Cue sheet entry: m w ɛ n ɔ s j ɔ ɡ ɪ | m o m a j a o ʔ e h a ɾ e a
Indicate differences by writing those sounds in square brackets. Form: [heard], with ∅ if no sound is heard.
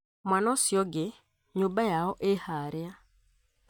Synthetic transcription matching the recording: m w [a] n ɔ s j ɔ ɡ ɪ | [ɲ] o [b] a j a [ɔ] ʔ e h a ɾ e a